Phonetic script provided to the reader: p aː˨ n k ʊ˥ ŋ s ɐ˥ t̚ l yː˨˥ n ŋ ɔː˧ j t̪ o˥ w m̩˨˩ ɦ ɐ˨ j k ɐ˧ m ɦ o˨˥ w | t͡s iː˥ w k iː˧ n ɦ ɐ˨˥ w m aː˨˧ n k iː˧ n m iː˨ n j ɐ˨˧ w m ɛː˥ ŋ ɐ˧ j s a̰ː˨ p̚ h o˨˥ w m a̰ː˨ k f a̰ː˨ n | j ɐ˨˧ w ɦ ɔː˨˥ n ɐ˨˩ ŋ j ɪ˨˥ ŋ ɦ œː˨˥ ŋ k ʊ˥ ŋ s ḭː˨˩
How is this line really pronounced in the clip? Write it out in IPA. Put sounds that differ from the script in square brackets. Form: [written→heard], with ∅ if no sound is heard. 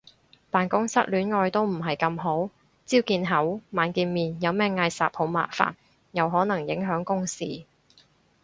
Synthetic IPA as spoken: p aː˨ n k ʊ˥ ŋ s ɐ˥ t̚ l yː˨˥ n ŋ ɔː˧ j t̪ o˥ w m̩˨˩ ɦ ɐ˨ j k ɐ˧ m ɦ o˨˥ w | t͡s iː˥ w k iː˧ n ɦ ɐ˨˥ w m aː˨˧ n k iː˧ n m iː˨ n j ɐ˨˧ w m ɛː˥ ŋ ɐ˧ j s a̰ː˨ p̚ h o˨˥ w m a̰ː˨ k f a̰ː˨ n | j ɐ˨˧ w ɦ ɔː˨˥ n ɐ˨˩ ŋ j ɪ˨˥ ŋ ɦ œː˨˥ ŋ k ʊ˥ ŋ s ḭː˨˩